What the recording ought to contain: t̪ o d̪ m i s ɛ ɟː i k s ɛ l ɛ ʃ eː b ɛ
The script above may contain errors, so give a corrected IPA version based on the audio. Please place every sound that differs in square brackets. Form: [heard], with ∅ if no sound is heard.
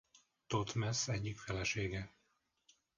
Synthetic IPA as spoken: t̪ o [t̪] m [ɛ] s ɛ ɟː i k [f] ɛ l ɛ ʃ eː [ɡ] ɛ

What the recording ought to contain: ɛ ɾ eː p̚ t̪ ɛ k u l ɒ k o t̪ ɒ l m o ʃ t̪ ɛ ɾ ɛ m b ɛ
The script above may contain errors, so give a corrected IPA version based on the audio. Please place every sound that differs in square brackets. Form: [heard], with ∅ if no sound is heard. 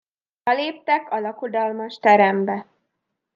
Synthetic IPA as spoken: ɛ [l] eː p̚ t̪ ɛ k [ɒ] l ɒ k o [d̪] ɒ l m [ɒ] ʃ t̪ ɛ ɾ ɛ m b ɛ

